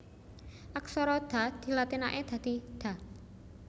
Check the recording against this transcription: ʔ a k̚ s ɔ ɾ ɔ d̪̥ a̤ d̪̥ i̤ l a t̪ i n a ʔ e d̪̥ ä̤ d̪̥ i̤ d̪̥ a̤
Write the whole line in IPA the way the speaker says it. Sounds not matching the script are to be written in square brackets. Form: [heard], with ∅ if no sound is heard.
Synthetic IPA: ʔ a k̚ s ɔ ɾ ɔ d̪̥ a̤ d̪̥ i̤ l a t̪ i n a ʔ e d̪̥ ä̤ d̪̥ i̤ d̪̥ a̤